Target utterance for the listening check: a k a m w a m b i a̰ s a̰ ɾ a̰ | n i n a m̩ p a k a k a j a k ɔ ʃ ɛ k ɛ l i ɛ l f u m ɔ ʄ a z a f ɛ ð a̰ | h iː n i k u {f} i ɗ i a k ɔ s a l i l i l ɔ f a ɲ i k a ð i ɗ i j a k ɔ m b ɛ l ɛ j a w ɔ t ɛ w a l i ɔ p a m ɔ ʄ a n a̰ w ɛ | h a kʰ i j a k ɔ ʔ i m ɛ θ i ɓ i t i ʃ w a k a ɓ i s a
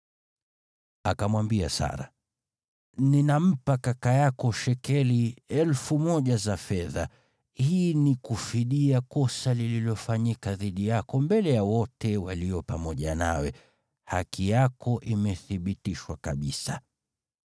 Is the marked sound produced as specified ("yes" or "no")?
yes